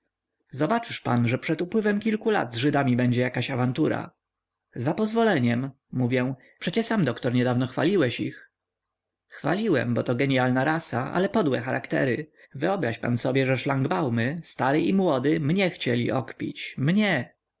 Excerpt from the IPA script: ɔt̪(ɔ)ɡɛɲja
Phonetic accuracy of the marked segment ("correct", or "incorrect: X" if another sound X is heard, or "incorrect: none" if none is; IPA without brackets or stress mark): correct